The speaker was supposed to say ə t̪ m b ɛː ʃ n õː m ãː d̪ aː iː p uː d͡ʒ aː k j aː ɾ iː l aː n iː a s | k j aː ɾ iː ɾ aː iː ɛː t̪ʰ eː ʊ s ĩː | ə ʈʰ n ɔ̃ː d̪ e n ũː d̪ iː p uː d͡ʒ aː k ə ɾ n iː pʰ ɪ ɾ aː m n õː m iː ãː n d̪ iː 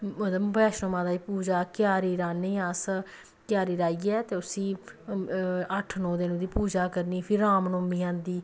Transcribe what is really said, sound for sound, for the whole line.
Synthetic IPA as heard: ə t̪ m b ɛː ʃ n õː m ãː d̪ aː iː p uː d͡ʒ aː k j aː ɾ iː ɾ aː n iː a s | k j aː ɾ iː ɾ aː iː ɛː t̪ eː ʊ s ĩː | ə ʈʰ n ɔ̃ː d̪ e n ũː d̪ iː p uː d͡ʒ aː k ə ɾ n iː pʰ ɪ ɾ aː m n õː m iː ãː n d̪ iː